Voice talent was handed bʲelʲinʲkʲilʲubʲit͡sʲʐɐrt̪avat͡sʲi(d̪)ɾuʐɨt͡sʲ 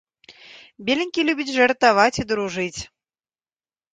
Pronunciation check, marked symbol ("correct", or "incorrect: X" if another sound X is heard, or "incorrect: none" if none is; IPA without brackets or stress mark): correct